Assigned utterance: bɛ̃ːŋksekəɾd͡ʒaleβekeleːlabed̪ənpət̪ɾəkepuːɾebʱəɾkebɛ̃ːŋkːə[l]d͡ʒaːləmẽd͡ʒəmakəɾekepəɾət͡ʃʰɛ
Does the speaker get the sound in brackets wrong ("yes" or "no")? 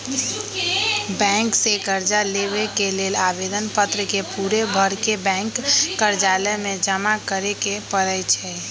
yes